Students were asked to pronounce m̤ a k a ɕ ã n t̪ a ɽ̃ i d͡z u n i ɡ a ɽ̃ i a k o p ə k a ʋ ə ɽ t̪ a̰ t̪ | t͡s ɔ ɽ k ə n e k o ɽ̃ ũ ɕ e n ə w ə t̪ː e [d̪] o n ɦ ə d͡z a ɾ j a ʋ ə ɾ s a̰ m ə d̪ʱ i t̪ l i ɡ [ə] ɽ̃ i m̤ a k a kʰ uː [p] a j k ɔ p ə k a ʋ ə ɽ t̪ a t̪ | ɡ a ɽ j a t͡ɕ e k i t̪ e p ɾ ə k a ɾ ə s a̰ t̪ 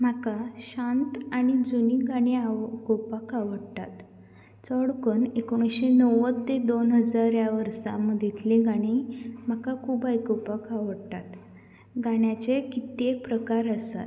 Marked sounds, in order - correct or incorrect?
correct, incorrect: a, incorrect: b

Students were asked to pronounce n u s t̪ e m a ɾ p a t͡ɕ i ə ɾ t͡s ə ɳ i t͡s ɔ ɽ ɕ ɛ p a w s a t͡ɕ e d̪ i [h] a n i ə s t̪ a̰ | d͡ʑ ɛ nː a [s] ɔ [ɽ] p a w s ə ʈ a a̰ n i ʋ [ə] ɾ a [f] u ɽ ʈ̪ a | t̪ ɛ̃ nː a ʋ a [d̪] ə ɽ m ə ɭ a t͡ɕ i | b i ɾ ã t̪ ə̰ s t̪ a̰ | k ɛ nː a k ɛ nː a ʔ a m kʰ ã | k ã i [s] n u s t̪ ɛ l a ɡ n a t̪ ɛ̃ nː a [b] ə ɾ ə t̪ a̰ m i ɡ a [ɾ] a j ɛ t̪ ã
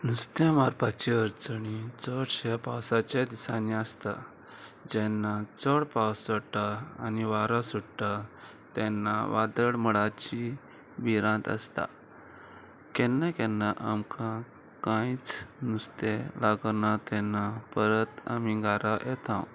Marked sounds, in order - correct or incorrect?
incorrect: s, incorrect: t͡s, correct, incorrect: a, incorrect: s, correct, incorrect: t͡s, incorrect: p, correct

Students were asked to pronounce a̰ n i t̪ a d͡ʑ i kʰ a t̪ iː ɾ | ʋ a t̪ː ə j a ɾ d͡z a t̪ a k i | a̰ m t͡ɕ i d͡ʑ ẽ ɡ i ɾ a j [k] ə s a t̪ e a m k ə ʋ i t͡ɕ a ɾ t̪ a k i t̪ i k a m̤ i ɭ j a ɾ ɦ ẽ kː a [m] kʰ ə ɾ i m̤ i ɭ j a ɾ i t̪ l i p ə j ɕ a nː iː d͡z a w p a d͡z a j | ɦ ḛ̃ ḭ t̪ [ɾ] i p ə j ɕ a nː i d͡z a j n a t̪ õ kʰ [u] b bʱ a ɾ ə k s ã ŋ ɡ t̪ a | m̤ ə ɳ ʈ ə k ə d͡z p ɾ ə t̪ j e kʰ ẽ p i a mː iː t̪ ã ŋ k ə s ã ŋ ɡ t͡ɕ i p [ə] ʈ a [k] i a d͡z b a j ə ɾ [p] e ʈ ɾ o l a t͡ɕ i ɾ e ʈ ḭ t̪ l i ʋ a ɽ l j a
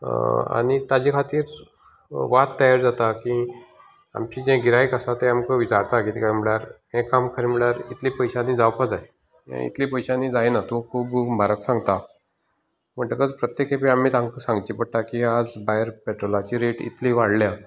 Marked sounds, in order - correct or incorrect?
correct, correct, incorrect: l, incorrect: uː, correct, correct, correct

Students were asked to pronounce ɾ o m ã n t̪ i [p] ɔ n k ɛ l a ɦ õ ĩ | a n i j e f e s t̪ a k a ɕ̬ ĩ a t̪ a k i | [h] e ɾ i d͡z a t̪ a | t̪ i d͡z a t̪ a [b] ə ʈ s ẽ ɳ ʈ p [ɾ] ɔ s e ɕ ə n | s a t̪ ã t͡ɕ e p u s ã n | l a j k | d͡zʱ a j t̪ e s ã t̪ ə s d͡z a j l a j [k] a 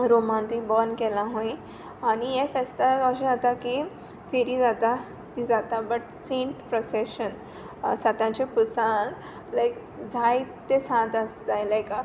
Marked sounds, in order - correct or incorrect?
incorrect: b, incorrect: f, correct, correct, correct

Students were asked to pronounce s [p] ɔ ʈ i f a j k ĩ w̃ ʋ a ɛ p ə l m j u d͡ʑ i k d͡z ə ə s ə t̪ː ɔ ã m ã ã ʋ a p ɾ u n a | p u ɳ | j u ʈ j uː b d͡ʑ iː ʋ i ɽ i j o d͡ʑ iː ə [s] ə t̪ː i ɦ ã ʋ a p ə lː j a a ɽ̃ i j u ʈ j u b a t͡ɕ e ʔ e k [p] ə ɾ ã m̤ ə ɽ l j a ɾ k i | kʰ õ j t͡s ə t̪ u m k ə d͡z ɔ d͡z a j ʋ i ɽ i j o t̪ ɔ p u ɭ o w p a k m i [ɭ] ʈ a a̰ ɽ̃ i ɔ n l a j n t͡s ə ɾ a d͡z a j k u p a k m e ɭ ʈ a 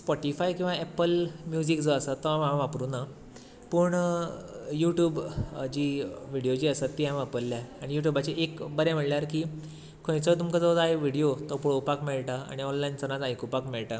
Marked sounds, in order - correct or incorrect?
correct, correct, incorrect: b, correct

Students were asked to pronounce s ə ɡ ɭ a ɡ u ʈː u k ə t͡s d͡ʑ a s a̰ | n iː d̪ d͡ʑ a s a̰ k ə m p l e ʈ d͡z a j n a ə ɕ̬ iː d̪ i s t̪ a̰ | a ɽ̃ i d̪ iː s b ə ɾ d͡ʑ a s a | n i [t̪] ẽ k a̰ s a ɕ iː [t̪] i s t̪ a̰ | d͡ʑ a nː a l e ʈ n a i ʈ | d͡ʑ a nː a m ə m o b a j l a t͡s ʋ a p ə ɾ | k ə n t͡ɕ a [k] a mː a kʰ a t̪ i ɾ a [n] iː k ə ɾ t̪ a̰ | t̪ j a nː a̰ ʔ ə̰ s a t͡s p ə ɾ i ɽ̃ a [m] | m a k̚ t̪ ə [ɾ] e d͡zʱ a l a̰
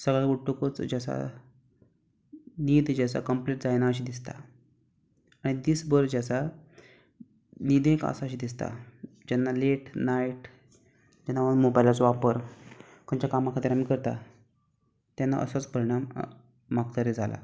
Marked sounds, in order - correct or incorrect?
incorrect: d̪, incorrect: d̪, correct, incorrect: m, correct, correct

